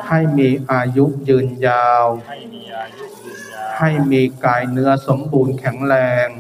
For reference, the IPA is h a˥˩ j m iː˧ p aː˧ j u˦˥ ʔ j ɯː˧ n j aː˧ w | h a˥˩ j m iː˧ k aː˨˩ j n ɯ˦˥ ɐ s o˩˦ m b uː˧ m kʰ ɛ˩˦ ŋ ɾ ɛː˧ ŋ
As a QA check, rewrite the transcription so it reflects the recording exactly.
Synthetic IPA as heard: h a˥˩ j m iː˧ ʔ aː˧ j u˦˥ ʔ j ɯː˧ n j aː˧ w | h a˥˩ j m iː˧ k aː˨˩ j n ɯ˦˥ ɐ s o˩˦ m b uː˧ n kʰ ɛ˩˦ ŋ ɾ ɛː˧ ŋ

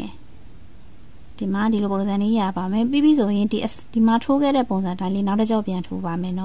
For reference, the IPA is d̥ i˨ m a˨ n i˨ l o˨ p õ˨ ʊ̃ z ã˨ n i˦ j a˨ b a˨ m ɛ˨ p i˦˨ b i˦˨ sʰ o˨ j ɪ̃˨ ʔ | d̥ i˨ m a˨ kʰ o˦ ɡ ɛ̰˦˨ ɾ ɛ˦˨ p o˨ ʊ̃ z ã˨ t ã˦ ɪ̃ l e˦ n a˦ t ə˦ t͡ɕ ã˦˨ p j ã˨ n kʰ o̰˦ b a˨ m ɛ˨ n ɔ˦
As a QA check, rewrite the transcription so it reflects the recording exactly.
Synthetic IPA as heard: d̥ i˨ m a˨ d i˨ l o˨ p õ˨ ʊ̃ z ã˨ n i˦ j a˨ b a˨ m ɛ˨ p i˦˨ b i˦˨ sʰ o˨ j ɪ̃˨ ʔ | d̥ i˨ m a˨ tʰ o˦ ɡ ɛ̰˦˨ ɾ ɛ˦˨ p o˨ ʊ̃ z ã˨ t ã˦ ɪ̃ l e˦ n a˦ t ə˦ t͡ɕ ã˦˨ p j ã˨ n tʰ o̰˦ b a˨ m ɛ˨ n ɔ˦

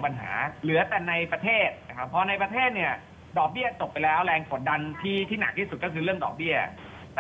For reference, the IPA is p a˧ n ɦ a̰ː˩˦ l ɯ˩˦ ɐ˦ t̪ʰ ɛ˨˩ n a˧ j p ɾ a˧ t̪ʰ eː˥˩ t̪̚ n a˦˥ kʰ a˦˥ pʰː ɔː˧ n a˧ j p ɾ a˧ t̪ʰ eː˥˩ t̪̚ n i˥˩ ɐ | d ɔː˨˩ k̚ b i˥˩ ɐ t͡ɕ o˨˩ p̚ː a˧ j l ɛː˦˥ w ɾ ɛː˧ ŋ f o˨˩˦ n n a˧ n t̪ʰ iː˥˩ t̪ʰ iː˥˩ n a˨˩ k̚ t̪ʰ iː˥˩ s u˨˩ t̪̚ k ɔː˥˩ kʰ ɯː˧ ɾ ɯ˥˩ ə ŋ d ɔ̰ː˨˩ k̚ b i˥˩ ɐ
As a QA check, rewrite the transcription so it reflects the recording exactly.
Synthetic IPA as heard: p a˧ n ɦ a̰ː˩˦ l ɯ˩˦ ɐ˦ t̪ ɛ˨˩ n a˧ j p ɾ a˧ t̪ʰ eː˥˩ t̪̚ n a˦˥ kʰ a˦˥ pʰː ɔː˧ n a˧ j p ɾ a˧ t̪ʰ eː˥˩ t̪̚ n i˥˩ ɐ | d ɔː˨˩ k̚ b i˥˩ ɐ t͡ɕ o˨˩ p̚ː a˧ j l ɛː˦˥ w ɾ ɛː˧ ŋ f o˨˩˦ n d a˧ n t̪ʰ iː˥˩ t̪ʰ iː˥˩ n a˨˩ k̚ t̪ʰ iː˥˩ s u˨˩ t̪̚ k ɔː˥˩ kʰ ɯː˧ ɾ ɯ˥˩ ə ŋ d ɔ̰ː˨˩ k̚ b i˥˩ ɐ

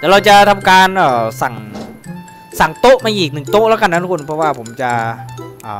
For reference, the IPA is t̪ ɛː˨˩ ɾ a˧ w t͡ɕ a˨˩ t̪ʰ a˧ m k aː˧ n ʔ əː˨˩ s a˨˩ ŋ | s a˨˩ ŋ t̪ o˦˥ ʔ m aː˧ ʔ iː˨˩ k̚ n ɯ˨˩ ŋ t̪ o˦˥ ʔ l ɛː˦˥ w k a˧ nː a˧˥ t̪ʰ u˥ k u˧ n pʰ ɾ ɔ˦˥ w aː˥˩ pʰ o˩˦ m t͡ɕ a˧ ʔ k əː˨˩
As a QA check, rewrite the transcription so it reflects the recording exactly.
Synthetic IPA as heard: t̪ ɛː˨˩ ɾ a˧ w t͡ɕ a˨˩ t̪ʰ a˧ m k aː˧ n ʔ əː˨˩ s a˨˩ ŋ | s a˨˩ ŋ t̪ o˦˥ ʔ m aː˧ ʔ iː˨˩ k̚ n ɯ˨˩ ŋ t̪ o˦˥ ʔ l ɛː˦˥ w k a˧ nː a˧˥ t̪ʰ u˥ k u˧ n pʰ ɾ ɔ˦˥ w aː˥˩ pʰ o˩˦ m t͡ɕ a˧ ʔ ʔ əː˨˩

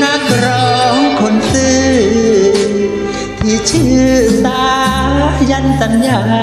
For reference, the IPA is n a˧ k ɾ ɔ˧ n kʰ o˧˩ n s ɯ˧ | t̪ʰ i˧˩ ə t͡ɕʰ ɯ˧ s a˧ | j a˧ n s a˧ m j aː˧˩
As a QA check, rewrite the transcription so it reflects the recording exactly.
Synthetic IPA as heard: n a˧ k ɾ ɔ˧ ŋ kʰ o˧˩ n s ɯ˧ | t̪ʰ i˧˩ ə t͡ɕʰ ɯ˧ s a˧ | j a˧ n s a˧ n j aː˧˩

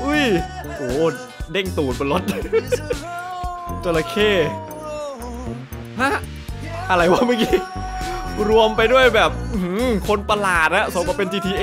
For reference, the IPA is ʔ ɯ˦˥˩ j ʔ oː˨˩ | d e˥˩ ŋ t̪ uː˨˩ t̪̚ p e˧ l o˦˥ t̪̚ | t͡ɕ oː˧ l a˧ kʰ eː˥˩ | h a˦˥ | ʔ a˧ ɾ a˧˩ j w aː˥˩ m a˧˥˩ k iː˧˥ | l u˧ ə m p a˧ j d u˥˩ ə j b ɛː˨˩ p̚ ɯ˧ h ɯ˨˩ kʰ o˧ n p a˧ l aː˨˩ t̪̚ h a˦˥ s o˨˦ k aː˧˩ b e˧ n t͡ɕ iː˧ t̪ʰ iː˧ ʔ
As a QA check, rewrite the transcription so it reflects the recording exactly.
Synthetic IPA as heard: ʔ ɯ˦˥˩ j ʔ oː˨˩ | d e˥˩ ŋ t̪ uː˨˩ t̪̚ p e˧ l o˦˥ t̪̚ | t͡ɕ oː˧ l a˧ kʰ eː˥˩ | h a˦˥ | ʔ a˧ ɾ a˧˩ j w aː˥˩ m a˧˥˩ k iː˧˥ | ɾ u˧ ə m p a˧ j d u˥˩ ə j b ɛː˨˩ p̚ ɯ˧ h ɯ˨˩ kʰ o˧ n p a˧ l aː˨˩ t̪̚ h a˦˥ s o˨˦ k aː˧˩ p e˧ n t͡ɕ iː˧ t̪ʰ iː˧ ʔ

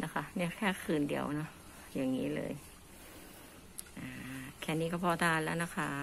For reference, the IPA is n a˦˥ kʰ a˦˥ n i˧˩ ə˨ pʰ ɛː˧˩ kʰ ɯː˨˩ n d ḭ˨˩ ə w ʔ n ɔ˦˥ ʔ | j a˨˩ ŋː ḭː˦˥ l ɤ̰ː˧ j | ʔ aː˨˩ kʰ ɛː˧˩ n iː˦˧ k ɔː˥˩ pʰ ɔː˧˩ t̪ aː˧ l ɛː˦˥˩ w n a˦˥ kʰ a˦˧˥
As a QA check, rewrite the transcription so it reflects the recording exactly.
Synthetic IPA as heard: n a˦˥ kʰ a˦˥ n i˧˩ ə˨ kʰ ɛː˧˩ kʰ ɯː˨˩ n d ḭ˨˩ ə w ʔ n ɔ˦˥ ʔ | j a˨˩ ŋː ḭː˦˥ l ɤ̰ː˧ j | ʔ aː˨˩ kʰ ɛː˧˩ n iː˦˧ k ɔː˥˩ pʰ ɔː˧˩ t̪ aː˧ l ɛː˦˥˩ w n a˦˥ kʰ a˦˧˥

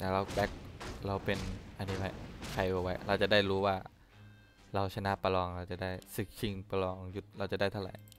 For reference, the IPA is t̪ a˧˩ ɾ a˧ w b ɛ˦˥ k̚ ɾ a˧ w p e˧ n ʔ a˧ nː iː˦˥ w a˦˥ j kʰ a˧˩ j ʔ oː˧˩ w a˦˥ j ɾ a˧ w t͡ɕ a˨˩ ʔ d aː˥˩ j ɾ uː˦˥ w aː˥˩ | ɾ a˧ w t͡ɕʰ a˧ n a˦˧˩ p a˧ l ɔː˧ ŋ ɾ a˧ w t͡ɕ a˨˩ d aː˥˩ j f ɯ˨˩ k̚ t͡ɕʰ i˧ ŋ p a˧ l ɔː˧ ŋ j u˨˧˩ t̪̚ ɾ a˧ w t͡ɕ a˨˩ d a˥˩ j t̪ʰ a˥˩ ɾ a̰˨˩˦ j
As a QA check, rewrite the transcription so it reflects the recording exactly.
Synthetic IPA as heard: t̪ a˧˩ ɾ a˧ w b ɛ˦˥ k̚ ɾ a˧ w p e˧ n ʔ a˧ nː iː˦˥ w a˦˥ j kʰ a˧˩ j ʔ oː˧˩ w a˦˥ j ɾ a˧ w t͡ɕ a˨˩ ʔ d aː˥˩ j ɾ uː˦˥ w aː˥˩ | ɾ a˧ w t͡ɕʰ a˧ n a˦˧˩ p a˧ l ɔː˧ ŋ ɾ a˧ w t͡ɕ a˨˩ d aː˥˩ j s ɯ˨˩ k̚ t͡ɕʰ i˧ ŋ p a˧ l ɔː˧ ŋ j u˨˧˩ t̪̚ ɾ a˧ w t͡ɕ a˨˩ d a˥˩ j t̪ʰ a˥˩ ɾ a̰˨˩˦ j

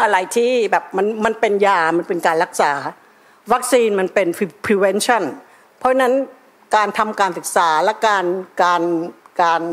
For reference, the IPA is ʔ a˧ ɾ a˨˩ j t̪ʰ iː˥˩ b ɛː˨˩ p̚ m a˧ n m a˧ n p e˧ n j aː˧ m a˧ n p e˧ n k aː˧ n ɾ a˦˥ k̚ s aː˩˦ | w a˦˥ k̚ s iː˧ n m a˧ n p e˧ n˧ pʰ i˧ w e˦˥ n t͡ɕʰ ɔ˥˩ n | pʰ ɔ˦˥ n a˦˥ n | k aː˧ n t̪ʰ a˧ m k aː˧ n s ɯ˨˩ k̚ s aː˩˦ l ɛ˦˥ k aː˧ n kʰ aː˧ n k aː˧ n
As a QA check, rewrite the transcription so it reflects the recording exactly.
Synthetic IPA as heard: ʔ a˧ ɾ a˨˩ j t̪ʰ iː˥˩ b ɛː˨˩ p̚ m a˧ n m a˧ n p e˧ n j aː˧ m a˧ n p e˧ n k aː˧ n ɾ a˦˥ k̚ s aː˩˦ | w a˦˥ k̚ s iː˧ n m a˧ n p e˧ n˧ pʰ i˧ w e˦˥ n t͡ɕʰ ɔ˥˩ n | pʰ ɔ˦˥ n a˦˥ n | k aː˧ n t̪ʰ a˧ m k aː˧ n s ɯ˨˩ k̚ s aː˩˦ l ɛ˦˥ k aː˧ n k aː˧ n k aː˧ n

